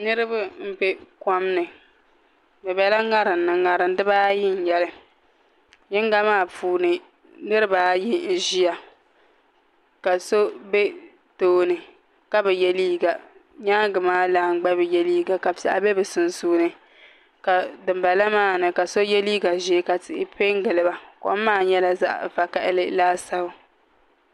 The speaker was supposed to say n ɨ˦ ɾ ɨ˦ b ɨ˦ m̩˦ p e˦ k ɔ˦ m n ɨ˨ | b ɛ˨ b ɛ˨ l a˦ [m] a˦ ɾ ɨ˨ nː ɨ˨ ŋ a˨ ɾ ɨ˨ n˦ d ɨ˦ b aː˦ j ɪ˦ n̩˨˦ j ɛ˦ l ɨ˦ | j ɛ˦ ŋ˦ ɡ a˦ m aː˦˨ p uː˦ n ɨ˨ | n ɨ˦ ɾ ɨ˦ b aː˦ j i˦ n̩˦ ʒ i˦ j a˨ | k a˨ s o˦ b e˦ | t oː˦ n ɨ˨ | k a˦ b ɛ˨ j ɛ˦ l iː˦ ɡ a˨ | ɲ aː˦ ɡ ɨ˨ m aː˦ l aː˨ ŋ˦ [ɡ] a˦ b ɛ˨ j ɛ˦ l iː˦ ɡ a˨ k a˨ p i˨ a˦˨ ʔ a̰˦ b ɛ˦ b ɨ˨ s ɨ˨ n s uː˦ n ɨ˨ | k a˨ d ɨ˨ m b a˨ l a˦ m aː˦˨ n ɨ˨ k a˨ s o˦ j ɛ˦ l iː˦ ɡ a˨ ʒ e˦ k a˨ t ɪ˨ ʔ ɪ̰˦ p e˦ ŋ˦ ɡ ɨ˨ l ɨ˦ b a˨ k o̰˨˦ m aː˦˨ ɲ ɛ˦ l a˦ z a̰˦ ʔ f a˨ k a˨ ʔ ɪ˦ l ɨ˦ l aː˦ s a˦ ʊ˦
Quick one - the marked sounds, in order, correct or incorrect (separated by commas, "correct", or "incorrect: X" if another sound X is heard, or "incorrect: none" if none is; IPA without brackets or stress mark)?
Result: incorrect: ŋ, incorrect: ɡ͡b